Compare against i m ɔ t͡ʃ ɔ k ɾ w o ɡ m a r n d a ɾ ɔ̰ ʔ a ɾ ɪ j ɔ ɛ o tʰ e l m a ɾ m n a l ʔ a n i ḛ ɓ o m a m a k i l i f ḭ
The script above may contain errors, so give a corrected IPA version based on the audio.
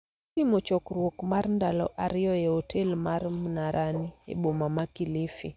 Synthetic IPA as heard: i m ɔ t͡ʃ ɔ k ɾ w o k m a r n d a l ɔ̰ ʔ a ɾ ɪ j ɔ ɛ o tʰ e l m a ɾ m n a ɾ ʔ a n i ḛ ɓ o m a m a k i l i f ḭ